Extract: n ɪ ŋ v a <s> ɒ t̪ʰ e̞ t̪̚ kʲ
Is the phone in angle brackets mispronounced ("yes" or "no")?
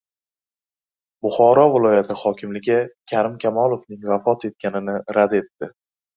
yes